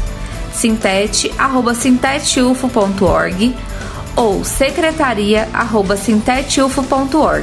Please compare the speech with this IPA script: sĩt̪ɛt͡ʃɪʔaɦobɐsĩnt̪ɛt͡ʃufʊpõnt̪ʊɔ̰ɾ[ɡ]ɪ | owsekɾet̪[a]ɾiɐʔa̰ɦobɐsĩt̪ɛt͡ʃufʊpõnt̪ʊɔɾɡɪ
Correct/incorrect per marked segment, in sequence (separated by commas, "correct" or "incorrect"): correct, correct